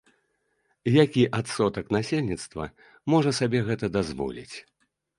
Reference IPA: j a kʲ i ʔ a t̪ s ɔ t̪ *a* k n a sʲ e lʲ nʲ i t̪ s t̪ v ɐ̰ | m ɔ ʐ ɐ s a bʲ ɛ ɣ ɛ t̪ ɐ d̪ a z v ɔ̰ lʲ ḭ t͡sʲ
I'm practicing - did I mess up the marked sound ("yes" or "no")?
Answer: yes